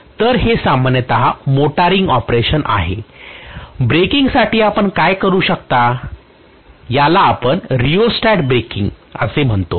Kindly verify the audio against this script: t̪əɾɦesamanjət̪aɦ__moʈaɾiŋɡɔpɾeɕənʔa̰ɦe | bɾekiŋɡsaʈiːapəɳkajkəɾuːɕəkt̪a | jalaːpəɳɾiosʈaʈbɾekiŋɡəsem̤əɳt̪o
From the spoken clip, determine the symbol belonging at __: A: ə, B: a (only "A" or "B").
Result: B